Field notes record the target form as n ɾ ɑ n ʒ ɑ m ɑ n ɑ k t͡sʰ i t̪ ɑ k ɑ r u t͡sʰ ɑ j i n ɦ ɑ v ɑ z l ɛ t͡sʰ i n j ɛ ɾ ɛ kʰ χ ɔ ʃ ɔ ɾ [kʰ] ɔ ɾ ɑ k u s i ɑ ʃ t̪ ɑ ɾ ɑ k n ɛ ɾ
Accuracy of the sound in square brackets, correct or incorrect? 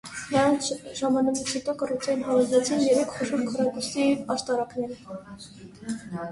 correct